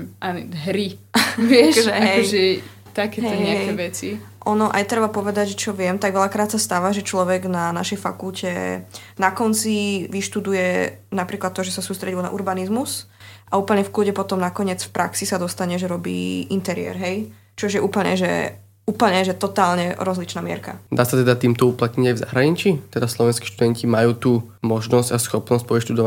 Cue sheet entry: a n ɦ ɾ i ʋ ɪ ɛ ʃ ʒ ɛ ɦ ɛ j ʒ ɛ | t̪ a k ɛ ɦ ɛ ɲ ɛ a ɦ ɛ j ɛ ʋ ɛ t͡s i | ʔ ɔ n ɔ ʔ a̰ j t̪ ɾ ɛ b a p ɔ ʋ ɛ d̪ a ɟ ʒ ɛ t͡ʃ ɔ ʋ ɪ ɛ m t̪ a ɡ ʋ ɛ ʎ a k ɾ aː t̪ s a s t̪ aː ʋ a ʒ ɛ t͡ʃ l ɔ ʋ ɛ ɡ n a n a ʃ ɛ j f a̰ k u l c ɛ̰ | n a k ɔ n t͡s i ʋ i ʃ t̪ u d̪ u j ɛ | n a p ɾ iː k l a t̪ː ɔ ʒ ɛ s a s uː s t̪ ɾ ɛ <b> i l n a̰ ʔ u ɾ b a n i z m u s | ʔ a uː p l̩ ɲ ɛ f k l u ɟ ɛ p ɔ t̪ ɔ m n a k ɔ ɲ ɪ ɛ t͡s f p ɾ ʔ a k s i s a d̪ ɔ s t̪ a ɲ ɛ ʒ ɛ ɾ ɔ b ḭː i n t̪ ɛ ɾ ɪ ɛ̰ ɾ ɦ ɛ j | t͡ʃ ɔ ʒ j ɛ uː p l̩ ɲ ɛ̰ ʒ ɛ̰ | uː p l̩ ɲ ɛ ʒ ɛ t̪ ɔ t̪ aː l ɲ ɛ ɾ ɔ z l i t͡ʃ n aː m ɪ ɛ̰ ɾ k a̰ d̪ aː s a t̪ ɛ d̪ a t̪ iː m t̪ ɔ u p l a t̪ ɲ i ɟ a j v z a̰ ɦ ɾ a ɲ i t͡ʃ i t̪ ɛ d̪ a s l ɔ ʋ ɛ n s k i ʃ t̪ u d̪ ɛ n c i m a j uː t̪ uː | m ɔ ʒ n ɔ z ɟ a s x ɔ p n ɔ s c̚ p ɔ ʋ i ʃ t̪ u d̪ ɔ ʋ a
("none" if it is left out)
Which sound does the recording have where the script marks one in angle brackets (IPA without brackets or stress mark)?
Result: ɟ